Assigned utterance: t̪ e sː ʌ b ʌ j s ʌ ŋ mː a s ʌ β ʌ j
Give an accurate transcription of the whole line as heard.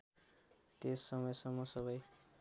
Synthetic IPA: t̪ e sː ʌ m ʌ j s ʌ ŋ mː ʌ s ʌ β ʌ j